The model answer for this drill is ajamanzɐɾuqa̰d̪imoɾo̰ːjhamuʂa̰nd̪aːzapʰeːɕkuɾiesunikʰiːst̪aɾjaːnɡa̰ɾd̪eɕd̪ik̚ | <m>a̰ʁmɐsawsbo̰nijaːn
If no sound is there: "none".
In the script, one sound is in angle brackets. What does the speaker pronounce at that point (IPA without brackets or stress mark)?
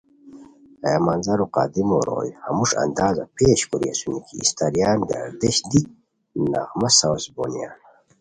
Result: n